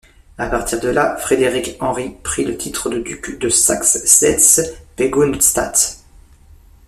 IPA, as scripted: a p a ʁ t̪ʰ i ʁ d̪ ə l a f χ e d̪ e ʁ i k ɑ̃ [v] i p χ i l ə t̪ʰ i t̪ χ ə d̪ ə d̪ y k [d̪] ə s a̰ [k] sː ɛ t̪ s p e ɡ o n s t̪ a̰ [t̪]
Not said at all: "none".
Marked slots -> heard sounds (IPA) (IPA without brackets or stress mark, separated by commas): ʁ, d̪, k, t̪